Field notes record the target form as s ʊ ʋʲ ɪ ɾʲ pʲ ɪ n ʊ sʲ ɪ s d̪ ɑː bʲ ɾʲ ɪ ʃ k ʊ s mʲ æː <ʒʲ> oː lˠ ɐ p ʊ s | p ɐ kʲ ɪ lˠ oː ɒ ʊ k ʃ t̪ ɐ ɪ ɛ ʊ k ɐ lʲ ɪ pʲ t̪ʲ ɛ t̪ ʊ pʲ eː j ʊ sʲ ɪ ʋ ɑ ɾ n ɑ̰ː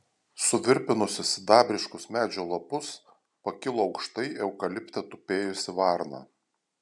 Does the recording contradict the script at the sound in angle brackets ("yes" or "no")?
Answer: yes